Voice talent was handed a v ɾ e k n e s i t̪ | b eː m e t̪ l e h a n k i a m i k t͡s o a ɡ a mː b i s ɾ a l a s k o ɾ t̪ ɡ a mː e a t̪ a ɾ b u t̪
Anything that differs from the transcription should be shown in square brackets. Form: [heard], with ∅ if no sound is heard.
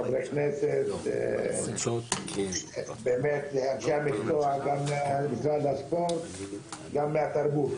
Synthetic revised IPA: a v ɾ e k n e s [e] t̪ | b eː m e t̪ l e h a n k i a m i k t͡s o a ɡ a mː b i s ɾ a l a s [p] o ɾ t̪ ɡ a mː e a t̪ a ɾ b u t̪